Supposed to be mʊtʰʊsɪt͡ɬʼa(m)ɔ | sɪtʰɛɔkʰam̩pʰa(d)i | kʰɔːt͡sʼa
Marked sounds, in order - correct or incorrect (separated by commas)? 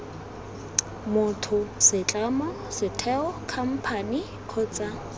correct, incorrect